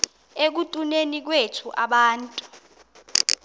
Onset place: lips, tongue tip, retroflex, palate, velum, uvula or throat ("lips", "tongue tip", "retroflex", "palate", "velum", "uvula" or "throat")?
velum